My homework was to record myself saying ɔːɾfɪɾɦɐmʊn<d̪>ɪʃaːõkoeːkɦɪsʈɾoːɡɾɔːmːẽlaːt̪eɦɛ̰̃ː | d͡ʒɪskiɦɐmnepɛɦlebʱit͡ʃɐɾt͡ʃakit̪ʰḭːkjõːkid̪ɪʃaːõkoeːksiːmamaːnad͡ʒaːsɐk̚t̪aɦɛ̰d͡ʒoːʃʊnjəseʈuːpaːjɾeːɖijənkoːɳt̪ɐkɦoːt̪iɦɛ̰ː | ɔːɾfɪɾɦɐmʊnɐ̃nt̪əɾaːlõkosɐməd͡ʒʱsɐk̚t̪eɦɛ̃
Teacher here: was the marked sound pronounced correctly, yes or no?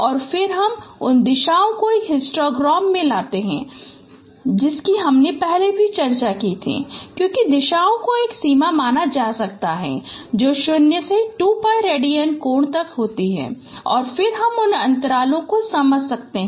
yes